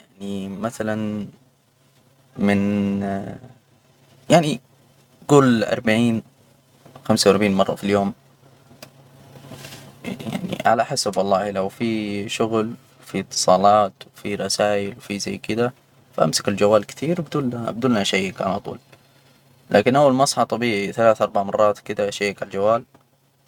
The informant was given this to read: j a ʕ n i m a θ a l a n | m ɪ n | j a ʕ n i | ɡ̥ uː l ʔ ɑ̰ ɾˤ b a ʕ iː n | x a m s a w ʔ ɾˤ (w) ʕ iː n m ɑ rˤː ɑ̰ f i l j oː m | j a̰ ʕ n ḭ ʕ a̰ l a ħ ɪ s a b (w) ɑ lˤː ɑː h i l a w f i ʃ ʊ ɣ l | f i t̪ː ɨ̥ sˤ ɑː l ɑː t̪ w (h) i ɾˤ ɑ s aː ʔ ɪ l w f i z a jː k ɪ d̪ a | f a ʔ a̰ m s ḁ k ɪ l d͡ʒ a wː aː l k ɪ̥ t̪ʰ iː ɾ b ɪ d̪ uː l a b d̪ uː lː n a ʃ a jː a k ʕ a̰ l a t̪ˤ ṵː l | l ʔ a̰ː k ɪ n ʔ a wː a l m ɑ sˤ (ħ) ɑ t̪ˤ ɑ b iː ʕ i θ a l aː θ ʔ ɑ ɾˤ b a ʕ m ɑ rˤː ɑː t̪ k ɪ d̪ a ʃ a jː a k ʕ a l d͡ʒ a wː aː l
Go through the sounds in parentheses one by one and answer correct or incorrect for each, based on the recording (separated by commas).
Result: incorrect, correct, incorrect, correct